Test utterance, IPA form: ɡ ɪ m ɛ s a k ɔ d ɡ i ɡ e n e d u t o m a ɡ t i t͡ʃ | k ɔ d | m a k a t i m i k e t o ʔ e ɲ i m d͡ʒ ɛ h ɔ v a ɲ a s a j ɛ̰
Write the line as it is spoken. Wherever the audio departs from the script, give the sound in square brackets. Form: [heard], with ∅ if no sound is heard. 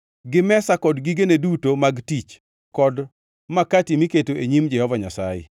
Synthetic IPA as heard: ɡ ɪ m ɛ s a k ɔ d ɡ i ɡ e n e d u t o m a ɡ t i t͡ʃ | k ɔ d | m a k a t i m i k e t o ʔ e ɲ i m d͡ʒ ɛ h ɔ v a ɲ a s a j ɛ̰